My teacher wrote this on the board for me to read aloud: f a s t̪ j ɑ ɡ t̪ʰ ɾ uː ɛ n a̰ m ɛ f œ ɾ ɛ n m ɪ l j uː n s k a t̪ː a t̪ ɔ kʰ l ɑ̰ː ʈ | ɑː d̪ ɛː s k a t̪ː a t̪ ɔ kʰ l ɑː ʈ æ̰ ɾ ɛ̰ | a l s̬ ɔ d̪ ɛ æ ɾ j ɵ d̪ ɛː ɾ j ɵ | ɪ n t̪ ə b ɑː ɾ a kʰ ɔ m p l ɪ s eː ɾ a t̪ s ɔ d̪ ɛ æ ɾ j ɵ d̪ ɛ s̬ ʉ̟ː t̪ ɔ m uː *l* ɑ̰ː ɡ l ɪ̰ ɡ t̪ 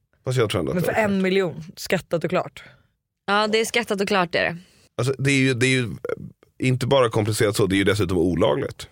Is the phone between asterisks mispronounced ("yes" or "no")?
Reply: no